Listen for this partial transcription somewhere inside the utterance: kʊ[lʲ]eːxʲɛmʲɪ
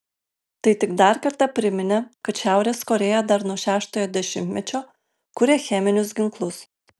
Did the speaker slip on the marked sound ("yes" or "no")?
yes